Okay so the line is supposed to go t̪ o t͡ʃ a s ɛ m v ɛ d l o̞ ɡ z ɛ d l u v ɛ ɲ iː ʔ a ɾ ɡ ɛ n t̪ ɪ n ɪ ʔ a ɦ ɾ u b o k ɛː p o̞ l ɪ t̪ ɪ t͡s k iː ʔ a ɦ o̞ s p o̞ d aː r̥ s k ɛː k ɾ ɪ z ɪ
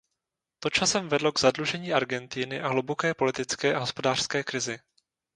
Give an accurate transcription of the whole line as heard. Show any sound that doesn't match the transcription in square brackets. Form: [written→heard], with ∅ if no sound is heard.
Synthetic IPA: t̪ o t͡ʃ a s ɛ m v ɛ d l o̞ ɡ z [ɛ→a] d l u [v→ʒ] ɛ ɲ iː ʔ a ɾ ɡ ɛ n t̪ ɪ n ɪ ʔ a ɦ [ɾ→l] u b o k ɛː p o̞ l ɪ t̪ ɪ t͡s k [iː→ɛː] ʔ a ɦ o̞ s p o̞ d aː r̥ s k ɛː k ɾ ɪ z ɪ